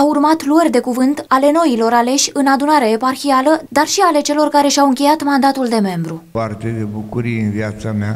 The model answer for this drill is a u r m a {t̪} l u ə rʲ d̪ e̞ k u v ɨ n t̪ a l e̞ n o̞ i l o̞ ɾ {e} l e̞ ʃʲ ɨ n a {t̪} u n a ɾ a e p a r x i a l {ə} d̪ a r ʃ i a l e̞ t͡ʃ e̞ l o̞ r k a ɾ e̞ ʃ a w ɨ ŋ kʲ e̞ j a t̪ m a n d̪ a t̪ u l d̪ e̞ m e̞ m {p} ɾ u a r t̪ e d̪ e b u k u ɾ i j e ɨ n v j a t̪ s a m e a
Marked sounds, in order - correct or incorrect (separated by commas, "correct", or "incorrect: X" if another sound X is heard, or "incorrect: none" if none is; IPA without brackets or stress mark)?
correct, incorrect: a, incorrect: d̪, correct, incorrect: b